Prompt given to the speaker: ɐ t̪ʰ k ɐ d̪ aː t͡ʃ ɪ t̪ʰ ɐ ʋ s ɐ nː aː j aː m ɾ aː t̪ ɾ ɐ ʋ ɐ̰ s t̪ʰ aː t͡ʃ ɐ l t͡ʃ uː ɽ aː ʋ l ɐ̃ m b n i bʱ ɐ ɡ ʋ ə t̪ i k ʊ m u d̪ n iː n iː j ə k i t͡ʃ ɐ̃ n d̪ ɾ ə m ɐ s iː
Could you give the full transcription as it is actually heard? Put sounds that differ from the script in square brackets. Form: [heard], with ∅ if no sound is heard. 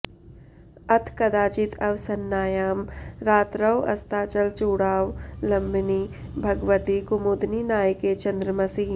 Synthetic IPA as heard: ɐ t̪ʰ k ɐ d̪ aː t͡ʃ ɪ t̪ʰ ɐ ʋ s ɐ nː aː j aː m ɾ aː t̪ ɾ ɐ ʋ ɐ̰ s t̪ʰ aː t͡ʃ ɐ l t͡ʃ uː ɽ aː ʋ l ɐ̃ m b n i bʱ ɐ ɡ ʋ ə t̪ i k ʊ m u d̪ n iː n [aː] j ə k [e] t͡ʃ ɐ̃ n d̪ ɾ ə m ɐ s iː